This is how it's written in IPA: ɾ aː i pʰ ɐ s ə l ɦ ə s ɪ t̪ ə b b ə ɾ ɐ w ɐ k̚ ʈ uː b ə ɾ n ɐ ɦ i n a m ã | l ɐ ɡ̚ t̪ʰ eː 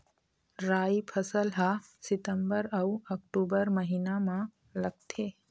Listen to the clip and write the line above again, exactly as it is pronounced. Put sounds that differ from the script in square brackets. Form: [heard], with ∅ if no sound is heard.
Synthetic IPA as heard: ɾ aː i pʰ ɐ s ə l ɦ [a] s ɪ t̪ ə [m] b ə ɾ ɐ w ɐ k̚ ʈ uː b ə ɾ [m] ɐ ɦ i n a m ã | l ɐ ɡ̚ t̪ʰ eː